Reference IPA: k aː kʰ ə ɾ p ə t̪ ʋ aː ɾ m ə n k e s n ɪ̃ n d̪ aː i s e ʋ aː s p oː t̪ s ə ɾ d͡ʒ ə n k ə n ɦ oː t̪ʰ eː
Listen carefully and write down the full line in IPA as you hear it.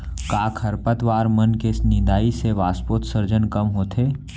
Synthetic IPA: k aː kʰ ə ɾ p ə t̪ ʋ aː ɾ m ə n k e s n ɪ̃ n d̪ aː i s e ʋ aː s p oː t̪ s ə ɾ d͡ʒ ə n k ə m ɦ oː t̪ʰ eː